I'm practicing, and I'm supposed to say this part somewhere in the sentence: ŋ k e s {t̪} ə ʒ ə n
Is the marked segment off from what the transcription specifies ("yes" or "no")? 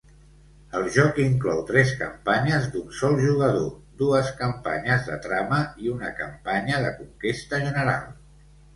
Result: no